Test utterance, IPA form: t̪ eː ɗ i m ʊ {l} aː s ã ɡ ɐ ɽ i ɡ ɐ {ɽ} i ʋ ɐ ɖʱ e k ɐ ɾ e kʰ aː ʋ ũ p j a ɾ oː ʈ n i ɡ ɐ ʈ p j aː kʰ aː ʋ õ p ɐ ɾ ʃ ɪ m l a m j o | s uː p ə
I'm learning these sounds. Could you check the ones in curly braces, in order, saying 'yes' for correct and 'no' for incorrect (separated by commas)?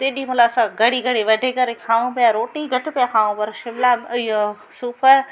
yes, yes